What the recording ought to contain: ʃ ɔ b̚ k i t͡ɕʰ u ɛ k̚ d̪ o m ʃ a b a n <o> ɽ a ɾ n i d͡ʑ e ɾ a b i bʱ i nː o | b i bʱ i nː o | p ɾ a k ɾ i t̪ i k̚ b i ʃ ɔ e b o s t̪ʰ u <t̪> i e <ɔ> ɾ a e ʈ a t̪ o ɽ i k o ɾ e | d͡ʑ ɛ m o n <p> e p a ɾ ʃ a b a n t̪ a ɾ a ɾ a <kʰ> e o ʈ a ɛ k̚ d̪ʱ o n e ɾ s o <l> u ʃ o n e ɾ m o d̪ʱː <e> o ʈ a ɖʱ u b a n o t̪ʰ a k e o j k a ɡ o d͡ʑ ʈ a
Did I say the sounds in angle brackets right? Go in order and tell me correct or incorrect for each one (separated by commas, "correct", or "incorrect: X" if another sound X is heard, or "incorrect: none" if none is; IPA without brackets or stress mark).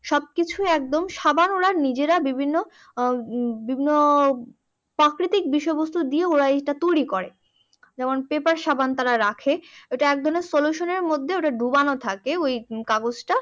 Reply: correct, incorrect: d̪, incorrect: o, correct, correct, correct, correct